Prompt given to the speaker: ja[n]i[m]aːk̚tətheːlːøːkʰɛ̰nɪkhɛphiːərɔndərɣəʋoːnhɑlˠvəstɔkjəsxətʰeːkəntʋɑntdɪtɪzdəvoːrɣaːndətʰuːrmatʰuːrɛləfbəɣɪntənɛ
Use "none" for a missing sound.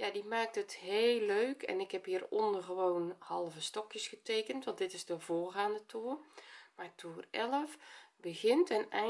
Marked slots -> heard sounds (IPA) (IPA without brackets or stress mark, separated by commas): d, m